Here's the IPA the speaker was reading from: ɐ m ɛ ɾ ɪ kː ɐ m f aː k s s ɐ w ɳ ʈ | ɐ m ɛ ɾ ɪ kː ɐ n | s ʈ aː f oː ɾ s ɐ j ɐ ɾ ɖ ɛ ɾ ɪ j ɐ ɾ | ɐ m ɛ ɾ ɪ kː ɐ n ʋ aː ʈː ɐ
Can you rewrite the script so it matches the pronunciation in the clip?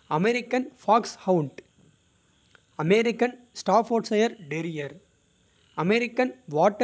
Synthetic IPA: ɐ m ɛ ɾ ɪ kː ɐ n f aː k s h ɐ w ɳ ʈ | ɐ m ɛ ɾ ɪ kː ɐ n | s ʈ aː f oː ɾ s ɐ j ɐ ɾ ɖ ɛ ɾ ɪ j ɐ ɾ | ɐ m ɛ ɾ ɪ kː ɐ n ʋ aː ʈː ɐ